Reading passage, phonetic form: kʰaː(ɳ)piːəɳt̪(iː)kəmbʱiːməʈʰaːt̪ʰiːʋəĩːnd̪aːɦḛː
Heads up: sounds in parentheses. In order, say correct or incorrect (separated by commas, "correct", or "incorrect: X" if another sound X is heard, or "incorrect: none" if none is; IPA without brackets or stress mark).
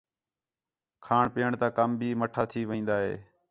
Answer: correct, incorrect: aː